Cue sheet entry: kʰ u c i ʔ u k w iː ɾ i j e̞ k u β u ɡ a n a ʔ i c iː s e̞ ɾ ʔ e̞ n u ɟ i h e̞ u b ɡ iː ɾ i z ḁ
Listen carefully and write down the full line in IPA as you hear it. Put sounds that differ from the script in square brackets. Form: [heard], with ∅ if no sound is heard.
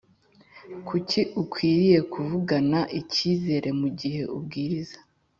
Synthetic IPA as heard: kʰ u c i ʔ u k w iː ɾ i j e̞ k u [v] u ɡ a n a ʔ i c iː [z] e̞ ɾ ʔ e̞ [m] u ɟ i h e̞ u b ɡ iː ɾ i z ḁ

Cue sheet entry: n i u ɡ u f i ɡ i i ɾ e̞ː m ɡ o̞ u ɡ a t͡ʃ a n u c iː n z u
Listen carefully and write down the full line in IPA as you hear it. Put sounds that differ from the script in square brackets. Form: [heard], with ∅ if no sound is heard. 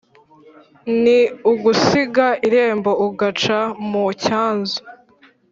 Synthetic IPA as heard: n i u ɡ u [s] i ɡ [a] i ɾ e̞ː m [b] o̞ u ɡ a t͡ʃ a [m] u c [aː] n z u

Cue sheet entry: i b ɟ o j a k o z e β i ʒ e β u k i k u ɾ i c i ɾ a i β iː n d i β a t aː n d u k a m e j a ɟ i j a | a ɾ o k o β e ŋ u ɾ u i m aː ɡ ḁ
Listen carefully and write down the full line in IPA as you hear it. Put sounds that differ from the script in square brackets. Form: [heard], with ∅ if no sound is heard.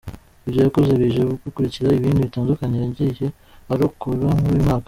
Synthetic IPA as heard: i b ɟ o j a k o z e β i ʒ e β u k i k u ɾ i c i ɾ a i β iː n d i β [i] t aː n d u k a [ɲ] e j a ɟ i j [e] | a ɾ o k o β [a] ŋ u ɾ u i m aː [k] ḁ

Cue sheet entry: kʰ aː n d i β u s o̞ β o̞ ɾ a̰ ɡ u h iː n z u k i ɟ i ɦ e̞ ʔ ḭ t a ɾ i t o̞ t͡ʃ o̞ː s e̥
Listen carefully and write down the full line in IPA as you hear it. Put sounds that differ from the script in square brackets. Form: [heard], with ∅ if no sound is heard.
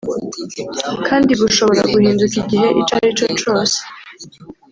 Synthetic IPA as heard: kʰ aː n d i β u [ʃ] o̞ β o̞ ɾ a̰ ɡ u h iː n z u k i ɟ i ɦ e̞ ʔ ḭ [t͡ʃ] a ɾ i [t͡ʃ] o̞ t͡ʃ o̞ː s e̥

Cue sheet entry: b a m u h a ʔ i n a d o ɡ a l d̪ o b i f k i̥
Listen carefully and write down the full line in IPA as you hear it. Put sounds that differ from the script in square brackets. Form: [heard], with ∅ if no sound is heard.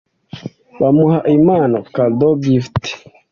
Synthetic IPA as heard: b a m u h a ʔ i [m] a [n] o [k] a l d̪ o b i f [t] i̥

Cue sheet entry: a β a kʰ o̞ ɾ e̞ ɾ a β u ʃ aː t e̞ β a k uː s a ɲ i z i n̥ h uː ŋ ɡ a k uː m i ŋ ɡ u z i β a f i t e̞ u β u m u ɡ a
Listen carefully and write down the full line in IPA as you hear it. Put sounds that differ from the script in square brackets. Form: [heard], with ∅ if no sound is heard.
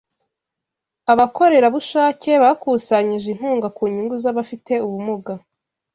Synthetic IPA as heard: a β a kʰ o̞ ɾ e̞ ɾ a β u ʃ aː [c] e̞ β a k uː s a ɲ i [ʒ] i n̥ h uː ŋ ɡ a k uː [ɲ] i ŋ ɡ u z [a] β a f i t e̞ u β u m u ɡ a

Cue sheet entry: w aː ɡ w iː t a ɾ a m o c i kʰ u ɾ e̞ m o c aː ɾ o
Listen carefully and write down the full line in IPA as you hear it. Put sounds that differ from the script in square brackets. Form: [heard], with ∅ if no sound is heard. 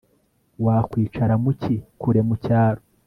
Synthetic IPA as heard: w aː [k] w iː [t͡ʃ] a ɾ a m [u] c i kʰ u ɾ e̞ m [u] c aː ɾ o

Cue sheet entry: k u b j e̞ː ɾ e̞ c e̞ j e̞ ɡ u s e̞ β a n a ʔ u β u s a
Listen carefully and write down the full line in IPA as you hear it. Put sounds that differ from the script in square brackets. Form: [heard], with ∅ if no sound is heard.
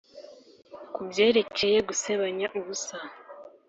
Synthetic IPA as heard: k u b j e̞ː ɾ e̞ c e̞ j e̞ ɡ u s e̞ β a [ɲ] a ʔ u β u s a

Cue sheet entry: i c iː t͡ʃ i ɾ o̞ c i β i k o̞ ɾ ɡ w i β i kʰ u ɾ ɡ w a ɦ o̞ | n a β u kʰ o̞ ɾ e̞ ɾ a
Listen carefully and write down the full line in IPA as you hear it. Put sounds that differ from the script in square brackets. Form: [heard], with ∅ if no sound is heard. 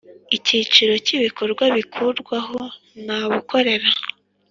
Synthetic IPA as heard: i c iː t͡ʃ i ɾ o̞ c i β i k o̞ ɾ ɡ w [a] β i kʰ u ɾ ɡ w a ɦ o̞ | n a β u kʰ o̞ ɾ e̞ ɾ a

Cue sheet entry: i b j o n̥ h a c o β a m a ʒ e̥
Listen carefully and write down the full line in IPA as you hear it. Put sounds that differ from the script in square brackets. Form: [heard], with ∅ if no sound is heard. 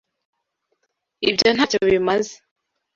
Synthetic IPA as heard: i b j o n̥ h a c o β [i] m a [z] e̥

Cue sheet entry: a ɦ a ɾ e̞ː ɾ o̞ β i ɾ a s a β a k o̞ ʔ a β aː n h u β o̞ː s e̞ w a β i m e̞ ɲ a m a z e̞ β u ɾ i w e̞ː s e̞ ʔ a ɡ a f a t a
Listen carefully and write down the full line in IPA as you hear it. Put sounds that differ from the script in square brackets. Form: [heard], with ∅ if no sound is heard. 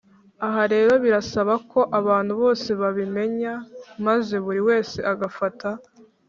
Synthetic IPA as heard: a ɦ a ɾ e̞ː ɾ o̞ β i ɾ a s a β a k o̞ ʔ a β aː n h u β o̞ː s e̞ [β] a β i m e̞ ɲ a m a z e̞ β u ɾ i w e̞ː s e̞ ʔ a ɡ a f a t a

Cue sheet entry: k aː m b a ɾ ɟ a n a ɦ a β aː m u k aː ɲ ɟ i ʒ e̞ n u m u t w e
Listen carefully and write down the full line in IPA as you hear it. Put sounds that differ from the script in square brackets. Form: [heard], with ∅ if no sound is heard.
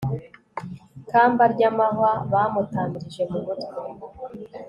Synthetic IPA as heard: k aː m b a ɾ ɟ a [m] a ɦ a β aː m u [t] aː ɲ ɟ i ʒ e̞ [m] u m u t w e

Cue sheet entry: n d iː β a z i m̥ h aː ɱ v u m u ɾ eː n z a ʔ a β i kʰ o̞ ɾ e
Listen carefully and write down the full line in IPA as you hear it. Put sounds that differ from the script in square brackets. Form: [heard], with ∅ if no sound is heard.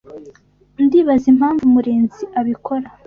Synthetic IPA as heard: n d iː β a z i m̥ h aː ɱ v u m u ɾ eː n z [i] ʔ a β i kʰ o̞ ɾ [a]

